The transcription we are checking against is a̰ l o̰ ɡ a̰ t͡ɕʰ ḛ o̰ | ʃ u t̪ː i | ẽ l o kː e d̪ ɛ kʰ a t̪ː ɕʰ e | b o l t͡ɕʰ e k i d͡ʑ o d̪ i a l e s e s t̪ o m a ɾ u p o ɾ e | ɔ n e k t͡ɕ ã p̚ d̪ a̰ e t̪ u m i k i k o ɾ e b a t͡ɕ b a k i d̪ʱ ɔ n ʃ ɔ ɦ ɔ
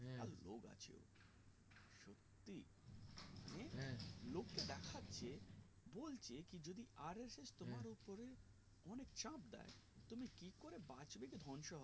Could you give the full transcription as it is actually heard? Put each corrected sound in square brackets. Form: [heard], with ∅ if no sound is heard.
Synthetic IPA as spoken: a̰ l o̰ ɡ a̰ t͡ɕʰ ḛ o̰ | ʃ [o] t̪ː i | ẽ l o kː e d̪ ɛ kʰ a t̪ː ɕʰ e | b o l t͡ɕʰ e k i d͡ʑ o d̪ i a [ɾ] e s e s t̪ o m a ɾ u p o ɾ e | ɔ n e k t͡ɕ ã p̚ d̪ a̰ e t̪ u m i k i k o ɾ e b a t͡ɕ b [e] k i d̪ʱ ɔ n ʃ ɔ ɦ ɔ